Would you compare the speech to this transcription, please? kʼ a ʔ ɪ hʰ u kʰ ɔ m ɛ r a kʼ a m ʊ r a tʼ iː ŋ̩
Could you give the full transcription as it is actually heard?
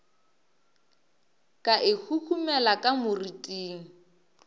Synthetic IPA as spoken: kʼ a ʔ ɪ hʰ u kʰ u m ɛ l a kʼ a m ʊ r i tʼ iː ŋ̩

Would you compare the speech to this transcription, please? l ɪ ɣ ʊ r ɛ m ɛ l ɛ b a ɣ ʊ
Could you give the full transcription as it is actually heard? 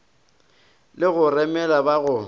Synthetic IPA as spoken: l ɪ ɣ ʊ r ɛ m ɛ l a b a ɣ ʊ

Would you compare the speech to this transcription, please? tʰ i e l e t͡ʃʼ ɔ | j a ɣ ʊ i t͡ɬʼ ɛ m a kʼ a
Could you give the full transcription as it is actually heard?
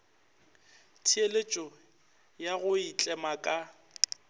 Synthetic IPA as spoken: tʰ i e l e t͡ʃʼ ɔ | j a ɣ ʊ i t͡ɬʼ ɛ m a kʼ a

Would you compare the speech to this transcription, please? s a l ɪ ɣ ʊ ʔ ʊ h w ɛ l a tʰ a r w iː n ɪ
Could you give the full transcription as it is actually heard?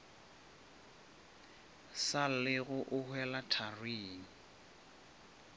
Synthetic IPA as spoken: s a l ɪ ɣ ʊ ʔ ʊ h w ɛ l a tʰ a r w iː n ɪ

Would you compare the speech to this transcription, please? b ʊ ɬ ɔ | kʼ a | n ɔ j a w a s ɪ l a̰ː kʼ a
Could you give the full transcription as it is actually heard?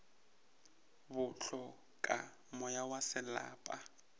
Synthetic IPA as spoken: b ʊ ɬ ɔ | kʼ a | m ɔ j a w a s ɪ l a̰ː pʼ a

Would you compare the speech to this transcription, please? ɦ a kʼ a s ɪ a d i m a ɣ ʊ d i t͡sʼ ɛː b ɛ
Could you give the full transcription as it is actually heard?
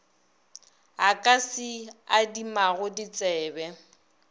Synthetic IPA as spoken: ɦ a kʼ a s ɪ a d i m a ɣ ʊ d i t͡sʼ ɛː b ɛ

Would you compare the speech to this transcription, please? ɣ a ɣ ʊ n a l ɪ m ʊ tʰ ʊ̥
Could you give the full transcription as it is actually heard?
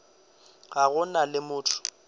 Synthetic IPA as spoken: ɣ a ɣ ʊ n a l ɪ m ʊː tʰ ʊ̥

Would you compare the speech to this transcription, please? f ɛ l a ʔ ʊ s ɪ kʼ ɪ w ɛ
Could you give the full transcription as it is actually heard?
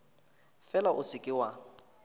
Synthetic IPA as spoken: f ɛ l a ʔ ʊ s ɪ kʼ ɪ w a

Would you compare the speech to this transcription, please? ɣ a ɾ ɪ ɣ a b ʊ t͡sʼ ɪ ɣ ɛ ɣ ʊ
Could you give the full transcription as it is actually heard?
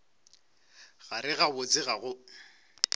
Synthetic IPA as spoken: ɣ a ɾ ɪ ɣ a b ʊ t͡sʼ ɪ ɣ a ɣ ʊ

